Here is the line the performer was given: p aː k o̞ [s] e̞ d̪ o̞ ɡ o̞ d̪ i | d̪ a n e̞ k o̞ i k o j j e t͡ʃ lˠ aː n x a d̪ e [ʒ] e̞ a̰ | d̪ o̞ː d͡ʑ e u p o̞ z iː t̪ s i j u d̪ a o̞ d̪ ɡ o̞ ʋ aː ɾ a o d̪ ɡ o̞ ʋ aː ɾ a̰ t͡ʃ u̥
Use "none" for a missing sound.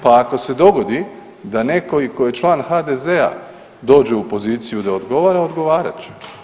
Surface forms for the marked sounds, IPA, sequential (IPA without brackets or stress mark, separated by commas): s, z